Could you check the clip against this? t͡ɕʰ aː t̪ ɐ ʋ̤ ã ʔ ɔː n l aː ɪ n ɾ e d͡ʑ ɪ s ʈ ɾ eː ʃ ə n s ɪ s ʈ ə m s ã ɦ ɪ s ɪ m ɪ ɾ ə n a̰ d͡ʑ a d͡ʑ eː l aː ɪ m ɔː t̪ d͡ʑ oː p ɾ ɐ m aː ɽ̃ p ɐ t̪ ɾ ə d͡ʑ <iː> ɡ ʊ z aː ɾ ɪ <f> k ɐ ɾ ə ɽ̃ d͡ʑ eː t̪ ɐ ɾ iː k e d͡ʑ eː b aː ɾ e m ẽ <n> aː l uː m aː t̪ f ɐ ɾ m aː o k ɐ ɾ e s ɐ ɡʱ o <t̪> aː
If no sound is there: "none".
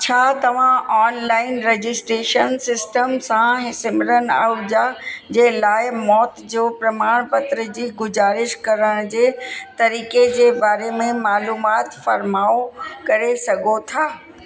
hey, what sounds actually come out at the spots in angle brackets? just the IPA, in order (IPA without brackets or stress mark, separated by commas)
iː, ʃ, m, t̪ʰ